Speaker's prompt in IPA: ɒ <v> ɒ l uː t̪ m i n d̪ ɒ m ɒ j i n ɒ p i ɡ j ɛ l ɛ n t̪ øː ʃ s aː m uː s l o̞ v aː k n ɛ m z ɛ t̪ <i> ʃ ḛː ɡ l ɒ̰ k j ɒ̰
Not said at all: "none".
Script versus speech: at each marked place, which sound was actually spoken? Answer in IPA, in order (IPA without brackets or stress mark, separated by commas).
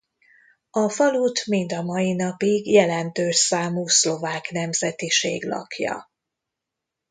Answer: f, i